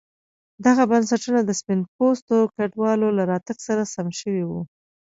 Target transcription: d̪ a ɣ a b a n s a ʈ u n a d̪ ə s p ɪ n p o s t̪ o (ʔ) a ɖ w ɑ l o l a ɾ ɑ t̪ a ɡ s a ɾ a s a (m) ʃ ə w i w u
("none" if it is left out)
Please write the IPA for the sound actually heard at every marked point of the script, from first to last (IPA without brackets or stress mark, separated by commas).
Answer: k, m